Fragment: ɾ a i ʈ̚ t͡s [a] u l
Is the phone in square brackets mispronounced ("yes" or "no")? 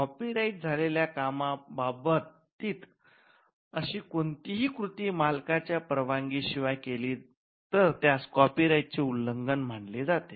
yes